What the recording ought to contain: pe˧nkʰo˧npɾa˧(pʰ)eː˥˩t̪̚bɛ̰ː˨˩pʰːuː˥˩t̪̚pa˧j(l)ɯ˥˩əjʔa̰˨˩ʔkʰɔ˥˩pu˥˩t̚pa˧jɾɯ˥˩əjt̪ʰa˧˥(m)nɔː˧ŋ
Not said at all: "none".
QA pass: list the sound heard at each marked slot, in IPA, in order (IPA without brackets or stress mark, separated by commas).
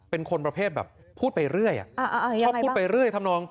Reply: pʰ, ɾ, m